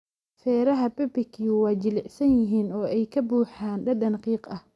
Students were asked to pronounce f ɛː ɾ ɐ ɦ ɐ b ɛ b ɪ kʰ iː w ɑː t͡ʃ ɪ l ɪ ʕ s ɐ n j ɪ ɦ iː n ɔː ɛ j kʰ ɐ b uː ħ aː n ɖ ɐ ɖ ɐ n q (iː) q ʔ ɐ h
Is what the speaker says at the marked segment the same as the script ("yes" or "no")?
yes